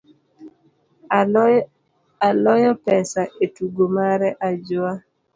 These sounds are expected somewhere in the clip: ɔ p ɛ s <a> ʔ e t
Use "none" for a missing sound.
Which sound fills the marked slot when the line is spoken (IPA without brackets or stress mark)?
a